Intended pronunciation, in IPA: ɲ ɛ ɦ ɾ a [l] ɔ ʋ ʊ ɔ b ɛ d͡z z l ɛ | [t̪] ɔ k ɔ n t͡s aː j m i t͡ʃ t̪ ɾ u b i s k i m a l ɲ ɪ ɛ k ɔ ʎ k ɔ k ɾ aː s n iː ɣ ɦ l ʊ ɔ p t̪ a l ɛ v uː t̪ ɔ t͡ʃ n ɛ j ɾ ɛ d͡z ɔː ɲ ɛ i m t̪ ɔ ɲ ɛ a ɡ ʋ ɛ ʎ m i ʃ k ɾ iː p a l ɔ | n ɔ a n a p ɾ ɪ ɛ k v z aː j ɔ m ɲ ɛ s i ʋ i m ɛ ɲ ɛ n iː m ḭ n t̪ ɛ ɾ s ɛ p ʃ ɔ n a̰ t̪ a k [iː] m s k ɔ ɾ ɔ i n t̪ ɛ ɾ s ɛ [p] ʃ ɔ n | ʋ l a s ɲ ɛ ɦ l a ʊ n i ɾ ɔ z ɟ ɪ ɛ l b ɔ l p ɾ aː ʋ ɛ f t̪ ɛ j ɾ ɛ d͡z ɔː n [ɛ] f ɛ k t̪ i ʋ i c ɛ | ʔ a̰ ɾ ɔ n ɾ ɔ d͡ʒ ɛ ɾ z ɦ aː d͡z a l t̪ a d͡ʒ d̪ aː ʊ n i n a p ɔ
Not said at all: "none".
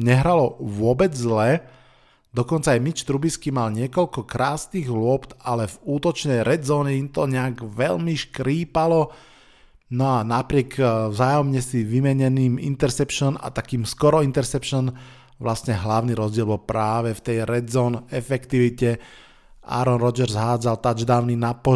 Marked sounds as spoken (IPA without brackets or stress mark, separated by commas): l, d̪, iː, p, ɛ